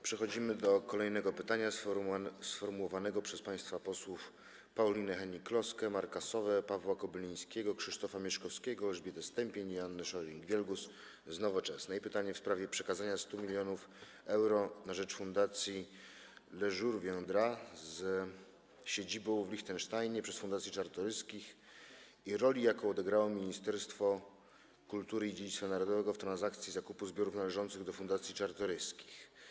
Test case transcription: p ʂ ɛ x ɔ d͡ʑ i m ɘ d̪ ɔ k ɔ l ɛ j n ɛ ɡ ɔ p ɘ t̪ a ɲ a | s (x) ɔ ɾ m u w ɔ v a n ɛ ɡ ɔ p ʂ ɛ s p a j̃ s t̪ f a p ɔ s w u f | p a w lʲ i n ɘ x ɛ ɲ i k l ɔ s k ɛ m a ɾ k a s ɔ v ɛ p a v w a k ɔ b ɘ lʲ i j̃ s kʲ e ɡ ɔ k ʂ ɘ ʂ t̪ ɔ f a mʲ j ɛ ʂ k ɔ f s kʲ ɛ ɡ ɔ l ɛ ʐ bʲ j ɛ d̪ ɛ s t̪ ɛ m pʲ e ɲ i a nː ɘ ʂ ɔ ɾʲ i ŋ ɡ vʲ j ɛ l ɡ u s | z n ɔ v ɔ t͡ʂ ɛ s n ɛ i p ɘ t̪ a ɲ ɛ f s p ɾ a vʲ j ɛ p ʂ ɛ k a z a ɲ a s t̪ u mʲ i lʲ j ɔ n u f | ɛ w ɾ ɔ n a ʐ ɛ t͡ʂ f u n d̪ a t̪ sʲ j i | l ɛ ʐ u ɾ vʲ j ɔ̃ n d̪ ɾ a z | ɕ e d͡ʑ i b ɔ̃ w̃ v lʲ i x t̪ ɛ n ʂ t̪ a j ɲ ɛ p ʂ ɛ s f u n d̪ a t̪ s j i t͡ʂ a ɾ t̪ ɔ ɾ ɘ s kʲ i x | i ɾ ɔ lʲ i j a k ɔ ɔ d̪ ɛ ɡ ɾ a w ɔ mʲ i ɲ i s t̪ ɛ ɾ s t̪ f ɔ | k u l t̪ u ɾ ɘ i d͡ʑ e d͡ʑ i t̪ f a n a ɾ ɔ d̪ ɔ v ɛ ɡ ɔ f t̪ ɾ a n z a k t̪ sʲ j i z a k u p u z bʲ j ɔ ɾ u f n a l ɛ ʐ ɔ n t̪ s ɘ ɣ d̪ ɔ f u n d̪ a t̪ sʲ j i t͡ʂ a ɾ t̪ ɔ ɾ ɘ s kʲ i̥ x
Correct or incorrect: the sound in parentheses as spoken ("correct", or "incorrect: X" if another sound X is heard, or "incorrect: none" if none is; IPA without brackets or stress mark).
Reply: incorrect: f